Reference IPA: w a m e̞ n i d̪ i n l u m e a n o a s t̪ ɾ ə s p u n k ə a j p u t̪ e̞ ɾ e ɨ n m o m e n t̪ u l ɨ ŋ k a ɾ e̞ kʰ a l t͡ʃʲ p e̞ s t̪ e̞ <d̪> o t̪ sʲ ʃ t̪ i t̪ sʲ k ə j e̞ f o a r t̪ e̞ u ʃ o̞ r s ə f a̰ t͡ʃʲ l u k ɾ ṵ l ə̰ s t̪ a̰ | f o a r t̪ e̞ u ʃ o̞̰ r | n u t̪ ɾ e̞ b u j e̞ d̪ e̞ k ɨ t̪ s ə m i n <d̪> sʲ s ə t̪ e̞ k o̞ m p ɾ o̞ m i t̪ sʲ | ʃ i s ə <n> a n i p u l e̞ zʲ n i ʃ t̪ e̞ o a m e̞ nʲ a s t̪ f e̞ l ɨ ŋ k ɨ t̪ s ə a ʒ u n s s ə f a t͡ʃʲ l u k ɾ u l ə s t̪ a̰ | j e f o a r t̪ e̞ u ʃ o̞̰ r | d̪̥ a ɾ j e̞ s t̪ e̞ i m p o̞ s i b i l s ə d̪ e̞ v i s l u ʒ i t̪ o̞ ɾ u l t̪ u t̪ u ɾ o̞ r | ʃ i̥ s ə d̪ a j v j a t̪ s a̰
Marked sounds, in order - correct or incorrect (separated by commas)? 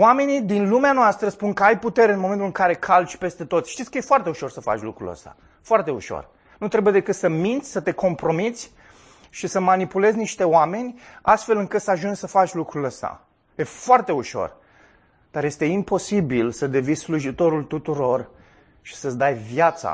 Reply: incorrect, incorrect, incorrect